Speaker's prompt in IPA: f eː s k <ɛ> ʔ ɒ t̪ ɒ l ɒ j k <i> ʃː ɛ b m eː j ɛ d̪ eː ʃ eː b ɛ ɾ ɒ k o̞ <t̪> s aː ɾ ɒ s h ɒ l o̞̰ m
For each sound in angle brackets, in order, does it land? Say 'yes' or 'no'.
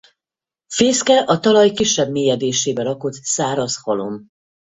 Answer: yes, yes, yes

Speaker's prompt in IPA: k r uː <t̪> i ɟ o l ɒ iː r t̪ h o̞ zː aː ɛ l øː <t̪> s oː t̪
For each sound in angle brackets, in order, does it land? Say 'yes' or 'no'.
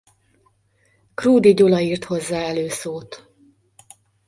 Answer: no, no

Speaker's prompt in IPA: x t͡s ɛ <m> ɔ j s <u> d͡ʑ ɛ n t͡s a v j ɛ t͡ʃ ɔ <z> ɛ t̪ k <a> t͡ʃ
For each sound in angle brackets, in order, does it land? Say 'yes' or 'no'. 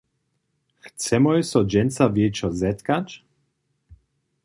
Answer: yes, no, yes, yes

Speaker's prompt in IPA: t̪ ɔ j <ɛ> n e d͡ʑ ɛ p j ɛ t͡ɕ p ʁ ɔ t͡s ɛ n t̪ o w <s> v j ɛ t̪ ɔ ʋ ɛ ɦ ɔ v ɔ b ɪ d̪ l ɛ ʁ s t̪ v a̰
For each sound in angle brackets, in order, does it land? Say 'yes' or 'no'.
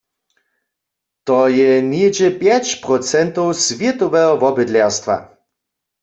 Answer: yes, yes

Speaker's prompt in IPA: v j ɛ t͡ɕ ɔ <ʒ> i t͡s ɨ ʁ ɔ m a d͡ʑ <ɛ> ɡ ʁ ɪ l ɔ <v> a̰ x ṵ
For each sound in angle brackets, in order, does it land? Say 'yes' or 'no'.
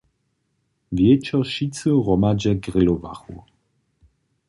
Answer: no, yes, yes

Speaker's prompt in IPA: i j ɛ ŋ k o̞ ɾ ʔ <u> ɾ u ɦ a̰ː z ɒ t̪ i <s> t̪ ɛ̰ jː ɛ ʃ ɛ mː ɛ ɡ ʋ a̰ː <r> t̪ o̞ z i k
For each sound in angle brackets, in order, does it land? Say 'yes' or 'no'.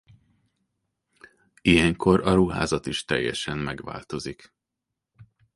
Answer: no, no, no

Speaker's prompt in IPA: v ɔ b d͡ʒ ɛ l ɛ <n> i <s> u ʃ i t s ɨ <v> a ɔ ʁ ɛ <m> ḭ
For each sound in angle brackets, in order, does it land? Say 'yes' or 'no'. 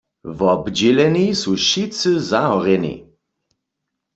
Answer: yes, yes, no, no

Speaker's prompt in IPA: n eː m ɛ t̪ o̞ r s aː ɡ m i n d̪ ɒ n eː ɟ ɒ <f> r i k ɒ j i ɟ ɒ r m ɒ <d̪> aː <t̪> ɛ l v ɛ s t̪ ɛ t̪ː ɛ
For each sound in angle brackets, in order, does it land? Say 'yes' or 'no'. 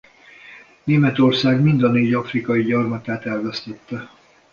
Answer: yes, no, yes

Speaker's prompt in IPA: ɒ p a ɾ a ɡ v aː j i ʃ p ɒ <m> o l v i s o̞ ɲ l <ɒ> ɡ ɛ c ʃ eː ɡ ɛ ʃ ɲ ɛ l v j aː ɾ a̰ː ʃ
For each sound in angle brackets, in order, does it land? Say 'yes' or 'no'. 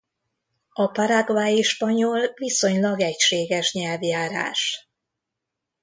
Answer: no, yes

